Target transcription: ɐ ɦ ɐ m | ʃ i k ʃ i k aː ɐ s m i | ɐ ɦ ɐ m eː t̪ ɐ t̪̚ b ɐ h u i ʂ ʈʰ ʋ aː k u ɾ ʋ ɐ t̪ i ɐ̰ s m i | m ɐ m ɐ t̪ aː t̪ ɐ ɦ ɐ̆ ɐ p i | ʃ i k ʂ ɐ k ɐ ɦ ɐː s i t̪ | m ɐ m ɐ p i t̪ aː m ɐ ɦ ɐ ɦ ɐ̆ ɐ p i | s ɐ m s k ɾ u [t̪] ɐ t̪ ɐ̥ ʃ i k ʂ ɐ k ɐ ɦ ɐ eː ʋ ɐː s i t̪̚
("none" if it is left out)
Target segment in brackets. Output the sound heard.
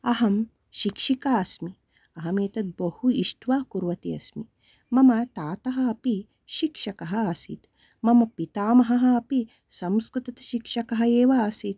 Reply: t̪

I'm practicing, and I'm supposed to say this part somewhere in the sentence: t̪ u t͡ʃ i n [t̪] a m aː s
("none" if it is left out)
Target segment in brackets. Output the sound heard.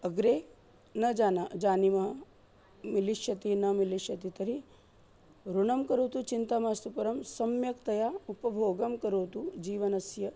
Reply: t̪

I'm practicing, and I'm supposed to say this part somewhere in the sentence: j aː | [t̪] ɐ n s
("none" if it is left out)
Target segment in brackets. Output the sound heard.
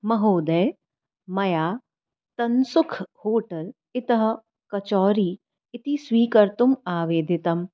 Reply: t̪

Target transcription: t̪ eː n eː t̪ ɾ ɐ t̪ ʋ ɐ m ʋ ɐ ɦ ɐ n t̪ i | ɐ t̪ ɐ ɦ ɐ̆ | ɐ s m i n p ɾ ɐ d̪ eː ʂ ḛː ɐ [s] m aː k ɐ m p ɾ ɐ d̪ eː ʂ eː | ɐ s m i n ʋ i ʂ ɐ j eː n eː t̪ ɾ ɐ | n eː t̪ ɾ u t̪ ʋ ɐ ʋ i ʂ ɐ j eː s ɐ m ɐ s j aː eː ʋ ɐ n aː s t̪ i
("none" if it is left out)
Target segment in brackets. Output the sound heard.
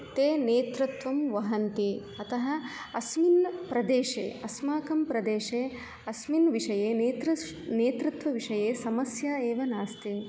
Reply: s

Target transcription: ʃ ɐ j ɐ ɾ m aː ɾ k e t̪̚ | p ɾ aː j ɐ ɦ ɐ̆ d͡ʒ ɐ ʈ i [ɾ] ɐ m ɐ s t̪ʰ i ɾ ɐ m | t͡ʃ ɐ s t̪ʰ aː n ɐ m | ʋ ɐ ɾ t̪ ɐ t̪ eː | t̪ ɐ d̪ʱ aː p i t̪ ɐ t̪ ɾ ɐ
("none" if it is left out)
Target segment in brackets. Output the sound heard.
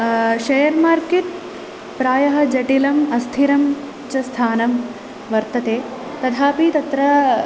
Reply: l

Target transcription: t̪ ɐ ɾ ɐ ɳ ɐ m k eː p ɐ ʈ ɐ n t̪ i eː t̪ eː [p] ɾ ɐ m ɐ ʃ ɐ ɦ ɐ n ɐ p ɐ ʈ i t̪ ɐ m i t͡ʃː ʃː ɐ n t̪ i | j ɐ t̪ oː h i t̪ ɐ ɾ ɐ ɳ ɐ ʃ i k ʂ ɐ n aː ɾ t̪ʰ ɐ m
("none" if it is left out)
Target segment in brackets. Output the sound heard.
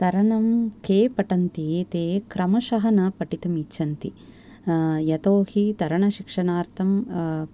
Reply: k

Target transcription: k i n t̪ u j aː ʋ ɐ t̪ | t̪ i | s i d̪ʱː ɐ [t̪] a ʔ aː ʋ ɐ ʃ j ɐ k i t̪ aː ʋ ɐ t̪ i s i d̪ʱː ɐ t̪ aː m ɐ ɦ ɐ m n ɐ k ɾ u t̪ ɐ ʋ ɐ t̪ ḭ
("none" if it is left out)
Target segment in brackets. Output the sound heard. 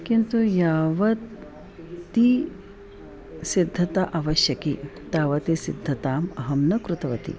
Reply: t̪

